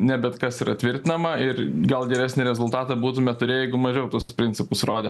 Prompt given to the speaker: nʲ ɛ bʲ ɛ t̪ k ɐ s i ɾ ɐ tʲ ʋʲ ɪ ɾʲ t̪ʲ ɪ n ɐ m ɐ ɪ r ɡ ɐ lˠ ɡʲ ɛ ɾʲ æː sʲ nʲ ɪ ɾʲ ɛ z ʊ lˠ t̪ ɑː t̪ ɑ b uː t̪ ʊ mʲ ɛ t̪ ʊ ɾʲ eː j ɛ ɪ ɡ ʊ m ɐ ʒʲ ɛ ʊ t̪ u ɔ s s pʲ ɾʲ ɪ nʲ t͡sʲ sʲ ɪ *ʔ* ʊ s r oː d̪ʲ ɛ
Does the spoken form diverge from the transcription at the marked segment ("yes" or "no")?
yes